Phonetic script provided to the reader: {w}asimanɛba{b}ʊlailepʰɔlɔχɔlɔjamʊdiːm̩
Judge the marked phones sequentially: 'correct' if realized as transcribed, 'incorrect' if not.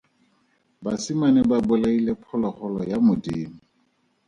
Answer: incorrect: b, correct

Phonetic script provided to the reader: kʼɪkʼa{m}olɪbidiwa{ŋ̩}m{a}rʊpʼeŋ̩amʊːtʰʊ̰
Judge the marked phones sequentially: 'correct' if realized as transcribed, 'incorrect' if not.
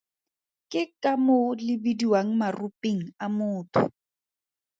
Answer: correct, correct, correct

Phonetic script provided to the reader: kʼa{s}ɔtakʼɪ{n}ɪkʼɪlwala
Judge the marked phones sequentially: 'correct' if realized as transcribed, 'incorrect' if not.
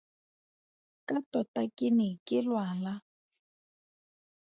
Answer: incorrect: t, correct

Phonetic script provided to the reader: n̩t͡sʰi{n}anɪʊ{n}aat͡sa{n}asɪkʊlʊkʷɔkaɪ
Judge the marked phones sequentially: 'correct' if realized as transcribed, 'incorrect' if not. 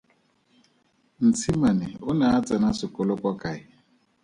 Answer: incorrect: m, correct, correct

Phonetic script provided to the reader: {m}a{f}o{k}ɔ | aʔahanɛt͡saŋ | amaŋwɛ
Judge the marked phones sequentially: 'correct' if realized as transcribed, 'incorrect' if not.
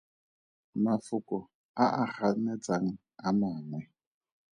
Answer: correct, correct, correct

